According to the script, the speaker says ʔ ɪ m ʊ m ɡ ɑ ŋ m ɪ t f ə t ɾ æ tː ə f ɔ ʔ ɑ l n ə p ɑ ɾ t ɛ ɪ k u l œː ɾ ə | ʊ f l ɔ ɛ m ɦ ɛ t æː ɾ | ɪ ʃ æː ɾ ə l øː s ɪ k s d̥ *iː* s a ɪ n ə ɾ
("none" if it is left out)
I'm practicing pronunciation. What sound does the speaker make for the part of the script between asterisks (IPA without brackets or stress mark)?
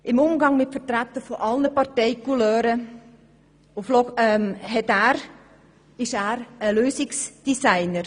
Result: i